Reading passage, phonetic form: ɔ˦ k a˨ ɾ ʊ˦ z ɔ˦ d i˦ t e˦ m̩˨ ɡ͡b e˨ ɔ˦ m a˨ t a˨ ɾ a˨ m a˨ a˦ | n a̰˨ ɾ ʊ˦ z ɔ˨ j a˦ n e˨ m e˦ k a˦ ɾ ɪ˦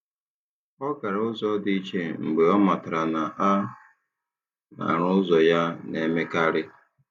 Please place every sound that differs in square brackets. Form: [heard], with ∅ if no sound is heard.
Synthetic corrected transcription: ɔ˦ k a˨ ɾ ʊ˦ z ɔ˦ d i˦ [t͡ʃ] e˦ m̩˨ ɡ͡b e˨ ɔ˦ m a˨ t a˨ ɾ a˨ [n] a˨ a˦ | n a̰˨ ɾ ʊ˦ z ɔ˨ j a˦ n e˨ m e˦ k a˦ ɾ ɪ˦